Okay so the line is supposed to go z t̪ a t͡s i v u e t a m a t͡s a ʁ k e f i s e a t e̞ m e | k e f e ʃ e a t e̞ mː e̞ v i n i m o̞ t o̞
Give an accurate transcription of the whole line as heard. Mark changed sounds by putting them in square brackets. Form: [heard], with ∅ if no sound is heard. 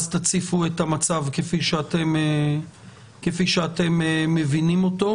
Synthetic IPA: z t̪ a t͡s i [f] u e t a m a t͡s a [v] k e f i [ʃ] e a t e̞ m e | k e f [i] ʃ e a t e̞ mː e̞ v i n i m o̞ t o̞